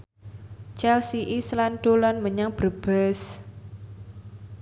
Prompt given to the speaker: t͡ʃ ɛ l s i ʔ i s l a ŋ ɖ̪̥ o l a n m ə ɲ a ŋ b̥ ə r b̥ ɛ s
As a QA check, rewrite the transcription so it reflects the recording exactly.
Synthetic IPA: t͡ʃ ɛ l s i ʔ i s l a n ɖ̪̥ o l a n m ə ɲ a ŋ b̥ ə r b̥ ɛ s